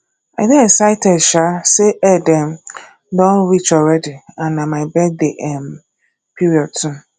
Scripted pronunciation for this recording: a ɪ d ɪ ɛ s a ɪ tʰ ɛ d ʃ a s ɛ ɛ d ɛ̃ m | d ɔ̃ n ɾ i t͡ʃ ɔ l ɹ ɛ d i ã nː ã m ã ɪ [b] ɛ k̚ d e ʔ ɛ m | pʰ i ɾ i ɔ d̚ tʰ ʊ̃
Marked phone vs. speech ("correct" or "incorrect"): correct